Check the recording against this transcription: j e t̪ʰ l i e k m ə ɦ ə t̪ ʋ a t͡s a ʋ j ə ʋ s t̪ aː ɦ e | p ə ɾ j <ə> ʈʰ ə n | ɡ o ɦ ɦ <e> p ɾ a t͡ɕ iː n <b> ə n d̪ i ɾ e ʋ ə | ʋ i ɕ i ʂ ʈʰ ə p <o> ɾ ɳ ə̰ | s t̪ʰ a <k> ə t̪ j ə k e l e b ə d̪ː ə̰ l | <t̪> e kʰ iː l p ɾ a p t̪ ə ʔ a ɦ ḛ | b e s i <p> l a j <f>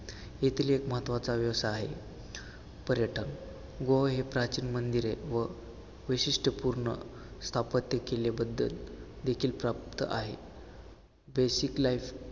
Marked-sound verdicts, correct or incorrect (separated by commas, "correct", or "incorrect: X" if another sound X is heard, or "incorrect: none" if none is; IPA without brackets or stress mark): correct, correct, incorrect: m, incorrect: u, incorrect: p, incorrect: d̪, incorrect: k, correct